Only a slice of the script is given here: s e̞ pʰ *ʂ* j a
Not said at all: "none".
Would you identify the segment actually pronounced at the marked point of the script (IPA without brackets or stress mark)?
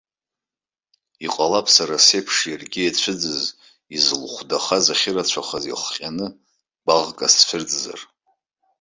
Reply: ʂ